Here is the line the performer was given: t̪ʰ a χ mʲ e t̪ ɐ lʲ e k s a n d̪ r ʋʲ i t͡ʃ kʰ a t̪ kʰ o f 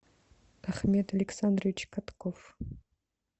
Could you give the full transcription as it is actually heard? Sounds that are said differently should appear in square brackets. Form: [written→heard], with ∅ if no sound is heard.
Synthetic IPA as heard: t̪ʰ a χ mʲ e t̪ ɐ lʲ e k s a n d̪ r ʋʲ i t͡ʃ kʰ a t̪ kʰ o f